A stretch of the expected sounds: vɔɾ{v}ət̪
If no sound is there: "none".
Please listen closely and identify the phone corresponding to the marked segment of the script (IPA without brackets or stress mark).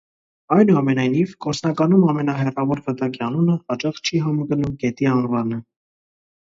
v